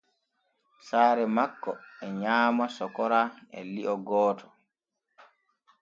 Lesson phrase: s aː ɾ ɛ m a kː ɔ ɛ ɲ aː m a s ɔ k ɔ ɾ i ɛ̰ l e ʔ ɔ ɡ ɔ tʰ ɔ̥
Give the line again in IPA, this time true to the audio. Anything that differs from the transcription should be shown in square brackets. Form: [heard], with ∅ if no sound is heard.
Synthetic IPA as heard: s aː ɾ ɛ m a kː ɔ ɛ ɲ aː m a s ɔ k ɔ ɾ [a] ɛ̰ l [i] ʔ ɔ ɡ [ɔː] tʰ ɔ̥